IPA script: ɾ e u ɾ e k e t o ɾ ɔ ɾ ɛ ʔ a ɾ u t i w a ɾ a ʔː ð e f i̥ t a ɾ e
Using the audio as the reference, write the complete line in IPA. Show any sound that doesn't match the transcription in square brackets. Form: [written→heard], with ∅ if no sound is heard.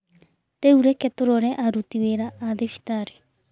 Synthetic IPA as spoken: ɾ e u ɾ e k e t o ɾ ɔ ɾ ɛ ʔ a ɾ u t i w [a→e] ɾ a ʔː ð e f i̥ t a ɾ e